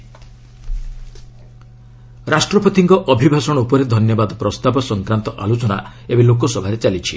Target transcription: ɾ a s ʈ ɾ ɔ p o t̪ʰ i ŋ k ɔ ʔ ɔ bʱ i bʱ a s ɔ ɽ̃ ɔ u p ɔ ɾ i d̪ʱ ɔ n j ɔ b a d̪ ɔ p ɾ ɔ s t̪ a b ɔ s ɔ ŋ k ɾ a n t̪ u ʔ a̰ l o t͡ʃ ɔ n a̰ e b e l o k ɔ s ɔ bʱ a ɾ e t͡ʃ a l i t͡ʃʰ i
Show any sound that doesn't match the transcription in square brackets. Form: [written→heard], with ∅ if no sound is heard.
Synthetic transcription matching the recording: ɾ a s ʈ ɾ ɔ p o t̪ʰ i ŋ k ɔ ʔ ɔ bʱ i bʱ a s ɔ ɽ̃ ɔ u p ɔ ɾ [i→e] d̪ʱ ɔ n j ɔ b a d̪ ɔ p ɾ ɔ s t̪ a b ɔ s ɔ ŋ k ɾ a n t̪ [u→ɔ] ʔ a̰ l o t͡ʃ ɔ n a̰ e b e l o k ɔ s ɔ bʱ a ɾ e t͡ʃ a l i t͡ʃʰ i